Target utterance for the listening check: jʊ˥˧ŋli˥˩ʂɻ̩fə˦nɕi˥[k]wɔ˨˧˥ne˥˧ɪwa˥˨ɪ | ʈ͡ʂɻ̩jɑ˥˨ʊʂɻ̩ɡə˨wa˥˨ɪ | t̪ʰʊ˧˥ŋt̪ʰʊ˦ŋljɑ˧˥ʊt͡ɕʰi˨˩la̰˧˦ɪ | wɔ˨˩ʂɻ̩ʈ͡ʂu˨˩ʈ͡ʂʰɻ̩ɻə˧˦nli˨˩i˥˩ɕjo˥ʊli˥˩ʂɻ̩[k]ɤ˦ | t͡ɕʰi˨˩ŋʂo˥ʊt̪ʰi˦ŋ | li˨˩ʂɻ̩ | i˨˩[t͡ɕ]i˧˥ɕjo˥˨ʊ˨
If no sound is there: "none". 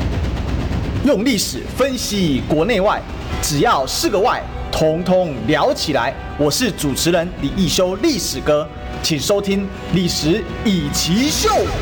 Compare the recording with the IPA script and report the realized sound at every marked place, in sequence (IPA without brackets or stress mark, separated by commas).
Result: k, k, t͡ɕʰ